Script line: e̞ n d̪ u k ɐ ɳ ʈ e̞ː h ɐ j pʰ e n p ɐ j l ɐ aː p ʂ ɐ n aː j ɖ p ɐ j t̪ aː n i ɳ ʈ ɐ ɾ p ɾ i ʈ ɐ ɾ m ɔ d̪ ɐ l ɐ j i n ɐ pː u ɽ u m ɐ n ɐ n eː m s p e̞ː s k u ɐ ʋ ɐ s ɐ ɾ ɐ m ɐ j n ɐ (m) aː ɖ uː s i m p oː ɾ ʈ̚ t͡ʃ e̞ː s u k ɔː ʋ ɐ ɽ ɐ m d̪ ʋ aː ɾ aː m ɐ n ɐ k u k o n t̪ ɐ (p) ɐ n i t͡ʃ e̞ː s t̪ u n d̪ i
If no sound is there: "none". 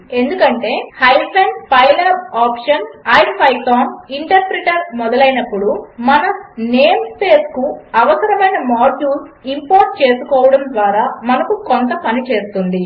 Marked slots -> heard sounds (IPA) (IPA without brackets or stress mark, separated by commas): m, p